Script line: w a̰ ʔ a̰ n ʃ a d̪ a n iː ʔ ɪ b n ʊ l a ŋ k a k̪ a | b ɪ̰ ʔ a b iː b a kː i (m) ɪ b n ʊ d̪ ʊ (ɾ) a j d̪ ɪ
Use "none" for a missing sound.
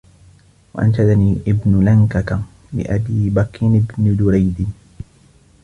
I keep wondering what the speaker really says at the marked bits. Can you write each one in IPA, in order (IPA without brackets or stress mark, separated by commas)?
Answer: n, ɾ